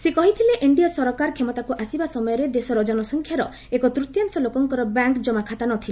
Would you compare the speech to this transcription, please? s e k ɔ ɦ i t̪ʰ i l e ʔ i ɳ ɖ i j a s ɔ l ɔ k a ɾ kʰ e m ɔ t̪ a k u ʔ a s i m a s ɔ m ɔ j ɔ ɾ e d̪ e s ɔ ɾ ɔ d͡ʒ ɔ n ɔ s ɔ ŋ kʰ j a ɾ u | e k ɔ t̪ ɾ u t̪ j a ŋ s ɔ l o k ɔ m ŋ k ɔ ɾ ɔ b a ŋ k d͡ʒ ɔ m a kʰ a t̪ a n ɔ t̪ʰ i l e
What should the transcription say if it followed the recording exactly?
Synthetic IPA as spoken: s e k ɔ ɦ i t̪ʰ i l e ʔ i ɳ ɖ i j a s ɔ ɾ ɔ k a ɾ kʰ e m ɔ t̪ a k u ʔ a s i b a s ɔ m ɔ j ɔ ɾ e d̪ e s ɔ ɾ ɔ d͡ʒ ɔ n ɔ s ɔ ŋ kʰ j a ɾ ɔ | e k ɔ t̪ ɾ u t̪ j a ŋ s ɔ l o k ɔ ŋ k ɔ ɾ ɔ b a ŋ k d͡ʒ ɔ m a kʰ a t̪ a n ɔ t̪ʰ i l e